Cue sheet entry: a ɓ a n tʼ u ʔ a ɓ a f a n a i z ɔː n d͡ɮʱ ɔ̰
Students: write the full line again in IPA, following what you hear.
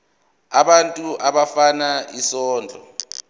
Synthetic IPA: a ɓ a n tʼ u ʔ a ɓ a f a n a i s ɔː n d͡ɮʱ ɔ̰